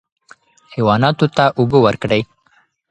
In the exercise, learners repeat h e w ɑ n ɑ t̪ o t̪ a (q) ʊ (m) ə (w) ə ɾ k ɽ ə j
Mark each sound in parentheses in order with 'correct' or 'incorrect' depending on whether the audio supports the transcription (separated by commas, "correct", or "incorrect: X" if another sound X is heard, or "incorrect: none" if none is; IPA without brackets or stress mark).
incorrect: ʔ, incorrect: b, correct